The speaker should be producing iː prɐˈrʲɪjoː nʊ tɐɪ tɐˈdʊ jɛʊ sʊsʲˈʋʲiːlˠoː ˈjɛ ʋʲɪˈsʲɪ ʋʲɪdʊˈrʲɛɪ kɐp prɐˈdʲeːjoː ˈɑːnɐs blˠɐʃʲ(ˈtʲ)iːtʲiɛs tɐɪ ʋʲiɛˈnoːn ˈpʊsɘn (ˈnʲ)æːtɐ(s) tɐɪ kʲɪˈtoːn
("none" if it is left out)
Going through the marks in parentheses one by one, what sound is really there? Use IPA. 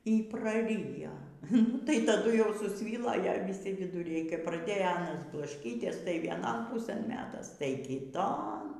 kʲ, mʲ, s

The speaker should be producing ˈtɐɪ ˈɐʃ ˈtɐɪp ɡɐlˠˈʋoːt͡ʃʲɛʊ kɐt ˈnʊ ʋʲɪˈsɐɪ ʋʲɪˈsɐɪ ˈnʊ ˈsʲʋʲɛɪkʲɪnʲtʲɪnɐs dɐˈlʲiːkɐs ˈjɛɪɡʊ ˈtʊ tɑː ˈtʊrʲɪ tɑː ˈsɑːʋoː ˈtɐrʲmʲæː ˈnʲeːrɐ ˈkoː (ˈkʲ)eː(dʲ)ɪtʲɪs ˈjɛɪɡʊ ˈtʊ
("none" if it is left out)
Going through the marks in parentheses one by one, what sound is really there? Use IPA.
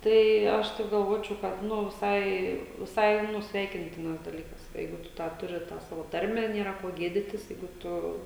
ɡʲ, dʲ

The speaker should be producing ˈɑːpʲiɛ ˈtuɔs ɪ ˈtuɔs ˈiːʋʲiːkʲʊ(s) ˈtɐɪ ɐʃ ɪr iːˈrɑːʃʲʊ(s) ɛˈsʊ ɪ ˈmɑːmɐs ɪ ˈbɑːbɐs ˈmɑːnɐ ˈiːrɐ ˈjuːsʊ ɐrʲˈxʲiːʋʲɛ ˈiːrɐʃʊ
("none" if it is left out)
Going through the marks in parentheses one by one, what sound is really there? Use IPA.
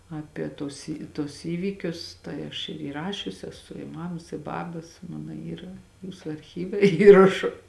s, s

